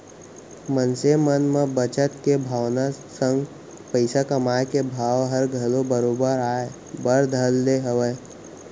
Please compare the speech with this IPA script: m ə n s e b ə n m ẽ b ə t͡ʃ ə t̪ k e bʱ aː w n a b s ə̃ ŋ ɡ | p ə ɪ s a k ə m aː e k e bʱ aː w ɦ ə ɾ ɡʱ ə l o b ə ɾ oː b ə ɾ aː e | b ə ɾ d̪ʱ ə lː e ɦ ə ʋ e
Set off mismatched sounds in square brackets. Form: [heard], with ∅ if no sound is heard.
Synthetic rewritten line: m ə n s e [m] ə n m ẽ b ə t͡ʃ ə t̪ k e bʱ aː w n a [∅] s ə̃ ŋ ɡ | p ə ɪ s a k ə m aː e k e bʱ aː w ɦ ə ɾ ɡʱ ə l o b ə ɾ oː b ə ɾ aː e | b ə ɾ d̪ʱ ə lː e ɦ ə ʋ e